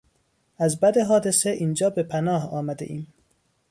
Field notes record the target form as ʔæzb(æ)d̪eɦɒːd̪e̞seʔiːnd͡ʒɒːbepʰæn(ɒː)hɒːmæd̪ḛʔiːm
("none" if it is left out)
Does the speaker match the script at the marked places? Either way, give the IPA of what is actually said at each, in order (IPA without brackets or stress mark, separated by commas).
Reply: æ, ɒː